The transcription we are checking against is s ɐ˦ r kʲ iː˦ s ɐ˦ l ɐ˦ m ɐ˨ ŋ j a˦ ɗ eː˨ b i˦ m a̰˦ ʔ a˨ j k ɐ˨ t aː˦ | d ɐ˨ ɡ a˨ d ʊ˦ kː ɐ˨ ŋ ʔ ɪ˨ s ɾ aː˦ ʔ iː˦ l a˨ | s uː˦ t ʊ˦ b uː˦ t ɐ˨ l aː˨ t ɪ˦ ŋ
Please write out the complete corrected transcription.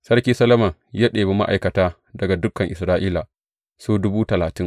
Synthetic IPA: s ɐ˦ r kʲ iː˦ s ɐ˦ l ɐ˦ m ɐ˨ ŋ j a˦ ɗ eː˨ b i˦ m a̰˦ ʔ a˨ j k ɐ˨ t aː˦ | d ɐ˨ ɡ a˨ d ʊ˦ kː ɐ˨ ŋ ʔ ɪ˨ s ɾ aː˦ ʔ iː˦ l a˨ | s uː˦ d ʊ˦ b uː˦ t ɐ˨ l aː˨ t ɪ˦ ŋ